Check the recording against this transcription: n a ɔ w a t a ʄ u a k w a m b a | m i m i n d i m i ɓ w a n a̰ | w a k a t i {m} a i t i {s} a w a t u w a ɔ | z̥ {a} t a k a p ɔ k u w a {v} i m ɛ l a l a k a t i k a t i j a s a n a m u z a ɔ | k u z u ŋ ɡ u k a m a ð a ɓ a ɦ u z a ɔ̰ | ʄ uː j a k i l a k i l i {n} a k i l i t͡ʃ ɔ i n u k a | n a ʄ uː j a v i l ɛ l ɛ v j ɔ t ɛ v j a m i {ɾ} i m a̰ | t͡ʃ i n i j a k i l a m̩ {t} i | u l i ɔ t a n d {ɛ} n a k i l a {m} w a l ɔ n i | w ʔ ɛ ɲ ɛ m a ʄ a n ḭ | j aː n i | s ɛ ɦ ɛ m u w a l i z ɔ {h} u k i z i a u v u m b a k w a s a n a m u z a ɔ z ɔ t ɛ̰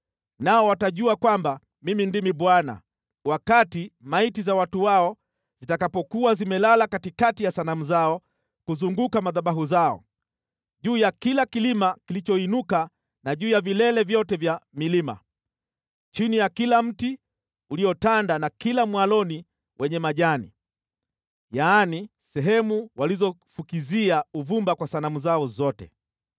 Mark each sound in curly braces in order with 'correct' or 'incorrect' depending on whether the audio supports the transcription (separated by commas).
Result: correct, incorrect, incorrect, incorrect, incorrect, incorrect, correct, incorrect, correct, incorrect